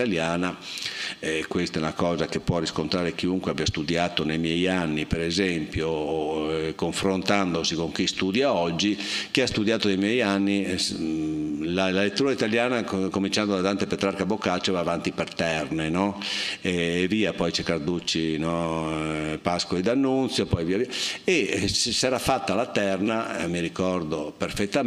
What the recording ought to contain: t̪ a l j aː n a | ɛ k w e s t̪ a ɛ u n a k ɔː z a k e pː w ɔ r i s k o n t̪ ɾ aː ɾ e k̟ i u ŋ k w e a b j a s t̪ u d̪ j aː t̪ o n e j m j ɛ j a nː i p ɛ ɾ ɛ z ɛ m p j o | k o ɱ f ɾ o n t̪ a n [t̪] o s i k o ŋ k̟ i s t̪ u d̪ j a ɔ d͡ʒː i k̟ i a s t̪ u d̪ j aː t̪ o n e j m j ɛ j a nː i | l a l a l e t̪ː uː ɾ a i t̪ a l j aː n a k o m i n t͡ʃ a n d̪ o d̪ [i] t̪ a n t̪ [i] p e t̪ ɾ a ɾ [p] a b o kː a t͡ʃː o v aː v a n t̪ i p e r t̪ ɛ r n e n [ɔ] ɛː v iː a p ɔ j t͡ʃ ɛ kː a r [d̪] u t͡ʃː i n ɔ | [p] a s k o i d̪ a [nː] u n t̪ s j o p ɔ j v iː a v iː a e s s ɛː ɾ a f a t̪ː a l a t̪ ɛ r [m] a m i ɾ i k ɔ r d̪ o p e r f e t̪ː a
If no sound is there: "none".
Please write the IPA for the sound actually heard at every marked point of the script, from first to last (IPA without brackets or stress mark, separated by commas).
d̪, a, e, k, ɔ, d̪, p, nː, n